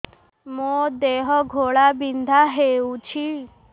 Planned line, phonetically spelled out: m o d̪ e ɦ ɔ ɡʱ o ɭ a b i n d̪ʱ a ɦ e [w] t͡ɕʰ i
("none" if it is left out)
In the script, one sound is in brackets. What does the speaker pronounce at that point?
u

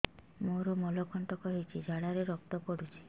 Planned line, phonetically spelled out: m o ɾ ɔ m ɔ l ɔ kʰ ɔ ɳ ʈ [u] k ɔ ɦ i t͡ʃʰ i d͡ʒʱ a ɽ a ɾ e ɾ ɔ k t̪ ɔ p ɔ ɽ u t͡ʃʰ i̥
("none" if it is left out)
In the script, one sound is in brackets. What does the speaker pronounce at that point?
ɔ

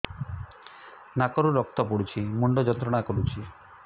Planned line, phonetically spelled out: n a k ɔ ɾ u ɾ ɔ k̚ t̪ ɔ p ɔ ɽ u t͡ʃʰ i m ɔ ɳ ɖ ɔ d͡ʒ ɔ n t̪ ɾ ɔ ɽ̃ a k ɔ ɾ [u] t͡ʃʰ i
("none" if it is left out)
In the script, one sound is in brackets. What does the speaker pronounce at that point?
u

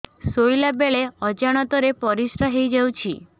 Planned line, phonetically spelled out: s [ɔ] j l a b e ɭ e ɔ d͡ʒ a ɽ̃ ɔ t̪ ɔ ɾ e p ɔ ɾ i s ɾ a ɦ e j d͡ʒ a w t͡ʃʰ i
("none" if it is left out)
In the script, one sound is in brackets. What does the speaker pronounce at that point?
o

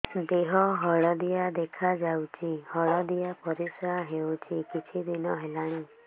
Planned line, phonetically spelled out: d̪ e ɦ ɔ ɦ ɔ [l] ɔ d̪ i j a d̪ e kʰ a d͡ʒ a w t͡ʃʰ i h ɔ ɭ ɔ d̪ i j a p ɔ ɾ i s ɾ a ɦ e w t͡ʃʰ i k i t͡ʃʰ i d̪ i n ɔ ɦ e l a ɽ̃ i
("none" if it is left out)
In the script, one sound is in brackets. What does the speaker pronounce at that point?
ɭ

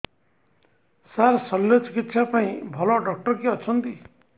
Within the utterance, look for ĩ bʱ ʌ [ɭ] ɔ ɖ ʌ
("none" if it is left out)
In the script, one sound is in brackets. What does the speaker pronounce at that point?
l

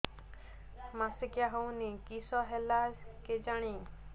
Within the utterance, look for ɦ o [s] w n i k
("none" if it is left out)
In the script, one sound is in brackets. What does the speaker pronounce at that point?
none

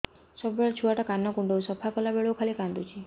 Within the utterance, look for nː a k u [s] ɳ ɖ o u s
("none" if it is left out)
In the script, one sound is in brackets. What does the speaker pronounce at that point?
none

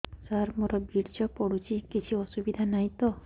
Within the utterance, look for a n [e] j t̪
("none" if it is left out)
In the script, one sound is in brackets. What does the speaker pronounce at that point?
a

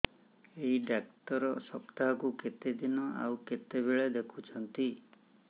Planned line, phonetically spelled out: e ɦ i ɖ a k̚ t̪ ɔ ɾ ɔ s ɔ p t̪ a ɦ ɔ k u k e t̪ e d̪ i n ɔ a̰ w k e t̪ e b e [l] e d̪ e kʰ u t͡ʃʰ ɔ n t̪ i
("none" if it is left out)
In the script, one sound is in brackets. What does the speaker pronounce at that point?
ɭ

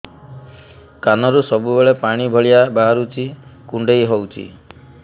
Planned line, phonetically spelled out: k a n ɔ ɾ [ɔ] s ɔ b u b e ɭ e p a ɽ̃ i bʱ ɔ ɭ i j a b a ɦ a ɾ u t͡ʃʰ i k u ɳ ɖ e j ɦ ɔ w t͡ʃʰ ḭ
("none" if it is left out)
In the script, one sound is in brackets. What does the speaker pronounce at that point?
u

